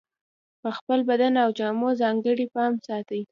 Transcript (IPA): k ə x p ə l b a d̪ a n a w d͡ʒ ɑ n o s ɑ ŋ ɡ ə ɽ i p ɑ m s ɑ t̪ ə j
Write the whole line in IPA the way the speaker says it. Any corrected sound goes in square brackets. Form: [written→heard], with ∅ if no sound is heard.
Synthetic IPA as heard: [k→p] ə x p ə l b a d̪ a n a w d͡ʒ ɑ [n→m] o [s→z] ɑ ŋ ɡ ə ɽ i p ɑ m s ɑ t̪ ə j

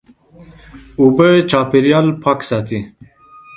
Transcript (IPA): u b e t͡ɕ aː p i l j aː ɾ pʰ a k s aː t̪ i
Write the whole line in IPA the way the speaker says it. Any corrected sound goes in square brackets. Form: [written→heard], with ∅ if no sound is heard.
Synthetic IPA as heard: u b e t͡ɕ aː p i [l→ɾ] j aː [ɾ→l] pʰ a k s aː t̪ i

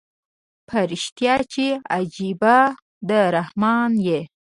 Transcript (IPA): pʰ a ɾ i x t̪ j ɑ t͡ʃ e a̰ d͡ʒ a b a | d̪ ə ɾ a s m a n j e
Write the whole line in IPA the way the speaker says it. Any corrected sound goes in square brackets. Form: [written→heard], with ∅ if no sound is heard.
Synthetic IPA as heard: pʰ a ɾ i [x→ʃ] t̪ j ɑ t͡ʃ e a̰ d͡ʒ [a→i] b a | d̪ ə ɾ a [s→h] m [a→ɑ] n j e

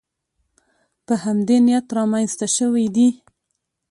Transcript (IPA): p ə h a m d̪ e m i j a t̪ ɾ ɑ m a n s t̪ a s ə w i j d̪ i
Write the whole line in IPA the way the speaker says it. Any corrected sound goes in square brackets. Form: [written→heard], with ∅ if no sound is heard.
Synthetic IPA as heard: p ə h a m d̪ e [m→n] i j a t̪ ɾ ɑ m a n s t̪ a [s→ʃ] ə w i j d̪ i

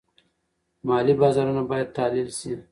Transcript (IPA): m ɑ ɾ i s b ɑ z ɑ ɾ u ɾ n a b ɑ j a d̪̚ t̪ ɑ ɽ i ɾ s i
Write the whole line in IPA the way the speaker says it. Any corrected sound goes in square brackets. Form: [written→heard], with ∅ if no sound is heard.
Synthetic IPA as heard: m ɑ [ɾ→l] i [s→∅] b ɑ z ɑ ɾ u [ɾ→∅] n a b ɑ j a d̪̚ t̪ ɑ [ɽ→l] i [ɾ→l] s i

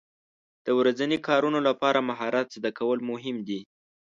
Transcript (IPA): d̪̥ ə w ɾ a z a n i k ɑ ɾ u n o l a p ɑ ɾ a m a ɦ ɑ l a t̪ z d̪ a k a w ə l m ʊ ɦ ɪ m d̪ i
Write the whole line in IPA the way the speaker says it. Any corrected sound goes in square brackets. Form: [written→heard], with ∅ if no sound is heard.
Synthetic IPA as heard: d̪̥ ə w ɾ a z a n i k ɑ ɾ u n o l a p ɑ ɾ a m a ɦ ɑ [l→ɾ] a t̪ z d̪ a k a w ə l m ʊ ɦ ɪ m d̪ i

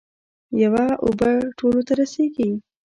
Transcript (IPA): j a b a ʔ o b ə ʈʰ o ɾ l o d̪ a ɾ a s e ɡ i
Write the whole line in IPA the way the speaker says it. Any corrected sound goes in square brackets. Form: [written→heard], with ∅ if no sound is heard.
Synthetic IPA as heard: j a [b→w] a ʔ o b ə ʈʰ o [ɾ→∅] l o [d̪→t̪] a ɾ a s e ɡ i

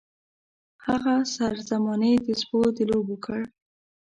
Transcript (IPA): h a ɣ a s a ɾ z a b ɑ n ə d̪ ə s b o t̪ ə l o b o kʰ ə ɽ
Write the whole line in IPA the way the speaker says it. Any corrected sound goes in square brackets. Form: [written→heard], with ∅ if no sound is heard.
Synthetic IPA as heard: h a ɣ a s a ɾ z a [b→m] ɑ n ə d̪ ə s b o [t̪→d̪] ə l o b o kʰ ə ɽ

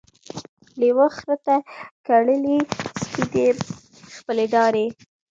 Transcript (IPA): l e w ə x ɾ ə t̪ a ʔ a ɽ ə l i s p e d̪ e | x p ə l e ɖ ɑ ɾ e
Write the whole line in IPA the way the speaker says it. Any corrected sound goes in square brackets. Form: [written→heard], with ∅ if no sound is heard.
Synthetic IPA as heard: l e w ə x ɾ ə t̪ a [ʔ→k] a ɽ ə l i s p [e→i] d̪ e | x p ə l e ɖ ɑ ɾ e

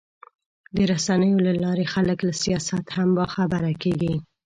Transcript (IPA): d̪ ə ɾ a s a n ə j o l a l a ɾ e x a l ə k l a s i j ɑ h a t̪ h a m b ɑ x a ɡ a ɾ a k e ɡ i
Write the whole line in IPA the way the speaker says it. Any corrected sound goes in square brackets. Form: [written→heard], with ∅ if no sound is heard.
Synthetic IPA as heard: d̪ ə ɾ a s a n ə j o l a l [a→ɑ] ɾ e x a l ə k l a s i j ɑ [h→s] a t̪ h a m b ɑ x a [ɡ→b] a ɾ a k e ɡ i

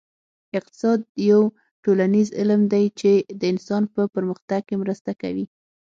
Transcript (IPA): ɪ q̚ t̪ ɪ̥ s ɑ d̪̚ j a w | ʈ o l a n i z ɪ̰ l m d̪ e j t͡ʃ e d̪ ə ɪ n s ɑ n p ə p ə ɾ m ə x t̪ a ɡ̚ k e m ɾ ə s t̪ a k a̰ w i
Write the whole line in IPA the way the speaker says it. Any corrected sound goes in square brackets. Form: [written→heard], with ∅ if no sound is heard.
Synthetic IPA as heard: ɪ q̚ t̪ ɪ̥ s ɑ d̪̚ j a w | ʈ o l a n i z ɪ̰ l m d̪ [e→a] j t͡ʃ e d̪ ə ɪ n s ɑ n p ə p ə ɾ m ə x t̪ a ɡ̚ k e m ɾ ə s t̪ a k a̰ w i

